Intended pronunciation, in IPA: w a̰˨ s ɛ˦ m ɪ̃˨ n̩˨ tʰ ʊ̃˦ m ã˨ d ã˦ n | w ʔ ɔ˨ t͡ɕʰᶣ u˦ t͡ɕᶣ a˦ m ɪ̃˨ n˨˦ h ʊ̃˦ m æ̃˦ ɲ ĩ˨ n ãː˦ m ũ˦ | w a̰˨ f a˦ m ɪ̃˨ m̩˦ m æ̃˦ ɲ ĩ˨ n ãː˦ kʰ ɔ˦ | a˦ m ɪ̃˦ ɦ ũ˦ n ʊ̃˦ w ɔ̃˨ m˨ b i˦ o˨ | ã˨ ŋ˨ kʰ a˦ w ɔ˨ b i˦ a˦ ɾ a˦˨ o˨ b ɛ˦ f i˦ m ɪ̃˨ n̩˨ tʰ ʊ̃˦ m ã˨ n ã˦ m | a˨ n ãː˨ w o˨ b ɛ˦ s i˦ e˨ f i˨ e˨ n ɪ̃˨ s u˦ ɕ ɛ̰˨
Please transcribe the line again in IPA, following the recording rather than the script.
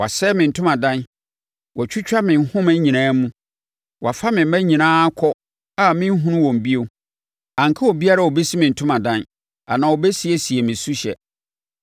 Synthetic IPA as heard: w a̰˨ s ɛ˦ m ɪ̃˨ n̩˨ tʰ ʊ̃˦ m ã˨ d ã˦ n | w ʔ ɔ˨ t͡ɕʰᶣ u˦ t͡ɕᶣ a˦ m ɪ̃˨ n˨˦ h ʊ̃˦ m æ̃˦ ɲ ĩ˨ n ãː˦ m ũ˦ | w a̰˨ f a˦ m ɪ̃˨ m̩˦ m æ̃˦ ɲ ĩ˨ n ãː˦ kʰ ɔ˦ | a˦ m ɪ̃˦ ɦ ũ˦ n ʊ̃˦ w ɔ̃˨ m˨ b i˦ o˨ | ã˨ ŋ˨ kʰ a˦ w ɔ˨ b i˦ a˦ ɾ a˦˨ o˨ b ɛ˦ s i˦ m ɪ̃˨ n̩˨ tʰ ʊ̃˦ m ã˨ d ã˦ n | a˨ n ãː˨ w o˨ b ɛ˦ s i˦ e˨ s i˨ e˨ m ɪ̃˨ s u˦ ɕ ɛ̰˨

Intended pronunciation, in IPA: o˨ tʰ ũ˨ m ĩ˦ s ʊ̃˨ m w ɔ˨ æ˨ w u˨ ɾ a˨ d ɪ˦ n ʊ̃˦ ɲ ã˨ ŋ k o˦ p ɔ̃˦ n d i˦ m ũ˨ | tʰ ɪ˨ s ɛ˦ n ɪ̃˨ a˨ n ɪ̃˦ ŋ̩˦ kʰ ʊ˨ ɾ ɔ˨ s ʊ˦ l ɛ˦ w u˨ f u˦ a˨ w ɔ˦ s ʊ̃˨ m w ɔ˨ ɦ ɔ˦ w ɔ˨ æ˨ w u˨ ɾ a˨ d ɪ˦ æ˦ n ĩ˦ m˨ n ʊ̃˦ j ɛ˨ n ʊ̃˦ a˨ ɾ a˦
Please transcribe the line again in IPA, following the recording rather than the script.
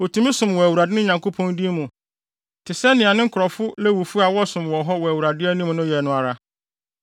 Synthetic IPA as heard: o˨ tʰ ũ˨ m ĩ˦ s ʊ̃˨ m w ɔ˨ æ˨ w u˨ ɾ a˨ d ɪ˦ n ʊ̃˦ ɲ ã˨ ŋ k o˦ pʰ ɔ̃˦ n d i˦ m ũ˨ | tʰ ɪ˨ s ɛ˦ n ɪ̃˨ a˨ n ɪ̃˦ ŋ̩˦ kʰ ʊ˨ ɾ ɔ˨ f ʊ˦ l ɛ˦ w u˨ f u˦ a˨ w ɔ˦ s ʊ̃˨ m w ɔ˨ ɦ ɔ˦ w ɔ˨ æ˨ w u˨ ɾ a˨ d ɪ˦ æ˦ n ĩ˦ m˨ n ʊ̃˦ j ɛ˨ n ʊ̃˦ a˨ ɾ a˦

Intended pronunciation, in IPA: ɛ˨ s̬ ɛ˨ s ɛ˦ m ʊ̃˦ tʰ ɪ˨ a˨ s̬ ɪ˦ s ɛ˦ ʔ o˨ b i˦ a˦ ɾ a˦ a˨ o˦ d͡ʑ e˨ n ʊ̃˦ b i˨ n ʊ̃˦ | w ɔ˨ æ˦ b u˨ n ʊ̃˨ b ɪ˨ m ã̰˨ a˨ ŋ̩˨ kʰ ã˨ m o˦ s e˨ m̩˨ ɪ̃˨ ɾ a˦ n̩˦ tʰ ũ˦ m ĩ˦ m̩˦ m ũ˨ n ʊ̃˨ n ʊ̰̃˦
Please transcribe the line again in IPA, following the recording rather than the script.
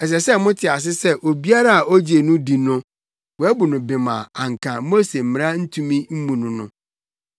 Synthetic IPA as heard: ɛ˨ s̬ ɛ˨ s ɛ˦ m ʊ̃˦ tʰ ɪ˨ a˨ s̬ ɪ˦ s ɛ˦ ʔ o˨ b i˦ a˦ ɾ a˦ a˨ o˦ d͡ʑ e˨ n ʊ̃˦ d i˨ n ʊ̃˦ | w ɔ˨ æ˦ b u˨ n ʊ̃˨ b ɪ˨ m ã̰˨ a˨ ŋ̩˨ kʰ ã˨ m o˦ s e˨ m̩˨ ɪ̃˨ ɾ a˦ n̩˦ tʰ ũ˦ m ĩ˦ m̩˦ m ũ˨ n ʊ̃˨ n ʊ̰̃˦

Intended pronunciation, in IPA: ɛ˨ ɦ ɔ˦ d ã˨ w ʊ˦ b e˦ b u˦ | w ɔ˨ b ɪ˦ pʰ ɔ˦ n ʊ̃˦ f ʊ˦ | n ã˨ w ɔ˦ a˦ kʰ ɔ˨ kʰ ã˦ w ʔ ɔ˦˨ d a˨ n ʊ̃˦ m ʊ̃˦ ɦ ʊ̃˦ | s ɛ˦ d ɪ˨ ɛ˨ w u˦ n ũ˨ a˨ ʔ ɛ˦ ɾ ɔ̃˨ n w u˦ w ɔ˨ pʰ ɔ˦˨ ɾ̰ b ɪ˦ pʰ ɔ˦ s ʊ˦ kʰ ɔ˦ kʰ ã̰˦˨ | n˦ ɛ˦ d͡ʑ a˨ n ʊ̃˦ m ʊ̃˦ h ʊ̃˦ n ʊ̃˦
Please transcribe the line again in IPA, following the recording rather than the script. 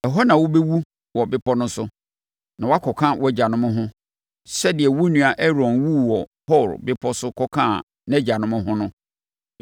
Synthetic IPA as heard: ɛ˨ ɦ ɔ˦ n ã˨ w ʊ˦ b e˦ w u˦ | w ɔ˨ b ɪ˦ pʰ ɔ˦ n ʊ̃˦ s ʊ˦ | n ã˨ w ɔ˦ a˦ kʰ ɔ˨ kʰ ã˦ w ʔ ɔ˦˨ d͡ʑ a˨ n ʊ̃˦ m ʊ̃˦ ɦ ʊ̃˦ | s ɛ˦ d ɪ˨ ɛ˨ w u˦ n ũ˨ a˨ ʔ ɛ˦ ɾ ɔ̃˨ n w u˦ w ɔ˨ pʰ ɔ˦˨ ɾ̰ b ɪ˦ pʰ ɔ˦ s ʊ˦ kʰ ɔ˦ kʰ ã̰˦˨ | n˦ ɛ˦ d͡ʑ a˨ n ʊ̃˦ m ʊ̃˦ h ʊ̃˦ n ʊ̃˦

